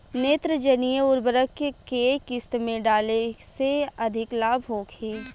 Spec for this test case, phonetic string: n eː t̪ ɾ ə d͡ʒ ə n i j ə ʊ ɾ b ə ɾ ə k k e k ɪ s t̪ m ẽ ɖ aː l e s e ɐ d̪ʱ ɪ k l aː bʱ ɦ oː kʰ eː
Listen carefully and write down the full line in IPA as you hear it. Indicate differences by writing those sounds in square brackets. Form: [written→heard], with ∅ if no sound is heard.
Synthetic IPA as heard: n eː t̪ ɾ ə d͡ʒ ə n i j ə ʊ ɾ b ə ɾ ə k k e k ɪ s t̪ m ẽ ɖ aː l e s e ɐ d̪ʱ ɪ k l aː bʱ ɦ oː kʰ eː